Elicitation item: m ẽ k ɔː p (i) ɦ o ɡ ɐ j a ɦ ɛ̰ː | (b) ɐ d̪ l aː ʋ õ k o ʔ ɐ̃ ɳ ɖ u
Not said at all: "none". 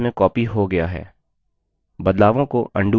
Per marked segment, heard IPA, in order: i, b

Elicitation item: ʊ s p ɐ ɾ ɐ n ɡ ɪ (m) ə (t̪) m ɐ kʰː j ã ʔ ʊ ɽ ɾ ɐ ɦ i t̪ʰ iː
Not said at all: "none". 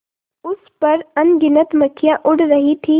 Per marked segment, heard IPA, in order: n, t̪

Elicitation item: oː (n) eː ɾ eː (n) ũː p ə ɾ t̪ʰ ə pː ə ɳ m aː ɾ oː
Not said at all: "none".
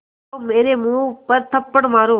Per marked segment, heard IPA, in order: m, m

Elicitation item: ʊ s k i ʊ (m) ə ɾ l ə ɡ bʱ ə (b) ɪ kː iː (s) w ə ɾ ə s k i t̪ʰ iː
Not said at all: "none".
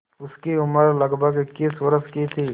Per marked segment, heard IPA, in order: m, ɡ, s

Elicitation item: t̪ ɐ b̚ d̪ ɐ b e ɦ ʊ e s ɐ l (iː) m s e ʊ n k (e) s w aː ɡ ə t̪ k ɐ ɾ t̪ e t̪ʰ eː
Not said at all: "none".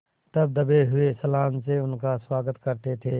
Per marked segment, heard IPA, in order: aː, a

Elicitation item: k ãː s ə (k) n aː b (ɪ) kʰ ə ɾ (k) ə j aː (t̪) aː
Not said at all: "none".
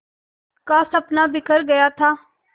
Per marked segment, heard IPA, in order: p, ɪ, ɡ, t̪ʰ

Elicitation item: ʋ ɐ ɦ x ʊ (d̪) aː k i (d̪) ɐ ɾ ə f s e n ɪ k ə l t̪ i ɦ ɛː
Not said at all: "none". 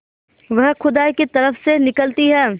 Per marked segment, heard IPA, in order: d̪, t̪

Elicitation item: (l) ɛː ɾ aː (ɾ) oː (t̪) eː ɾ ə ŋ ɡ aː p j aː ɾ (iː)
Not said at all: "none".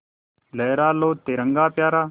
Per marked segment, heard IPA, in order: l, l, t̪, aː

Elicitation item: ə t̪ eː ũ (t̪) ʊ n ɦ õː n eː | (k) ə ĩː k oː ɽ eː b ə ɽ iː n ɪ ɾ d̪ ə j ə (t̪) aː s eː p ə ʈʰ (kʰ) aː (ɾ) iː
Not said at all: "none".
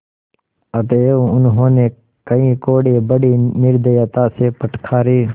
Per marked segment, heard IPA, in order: none, k, t̪, kʰ, ɾ

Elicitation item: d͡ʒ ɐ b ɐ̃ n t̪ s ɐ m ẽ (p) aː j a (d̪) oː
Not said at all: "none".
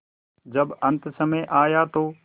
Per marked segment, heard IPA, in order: ʔ, t̪

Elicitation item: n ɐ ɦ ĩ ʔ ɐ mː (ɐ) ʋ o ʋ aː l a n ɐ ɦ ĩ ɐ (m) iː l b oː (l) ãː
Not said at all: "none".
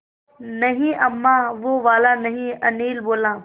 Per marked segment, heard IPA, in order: a, n, l

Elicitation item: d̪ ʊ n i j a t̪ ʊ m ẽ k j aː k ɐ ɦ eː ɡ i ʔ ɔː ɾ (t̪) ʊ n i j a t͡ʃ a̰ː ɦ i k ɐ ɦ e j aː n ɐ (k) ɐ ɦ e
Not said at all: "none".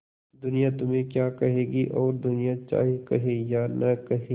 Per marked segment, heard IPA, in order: d̪, k

